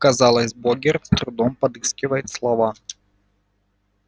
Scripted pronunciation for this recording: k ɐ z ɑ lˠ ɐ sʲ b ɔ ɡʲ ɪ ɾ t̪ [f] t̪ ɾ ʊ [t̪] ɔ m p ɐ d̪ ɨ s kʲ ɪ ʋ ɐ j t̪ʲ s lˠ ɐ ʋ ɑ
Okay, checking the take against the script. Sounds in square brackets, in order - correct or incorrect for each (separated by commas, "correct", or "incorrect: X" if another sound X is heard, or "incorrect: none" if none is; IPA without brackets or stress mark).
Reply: incorrect: s, incorrect: d̪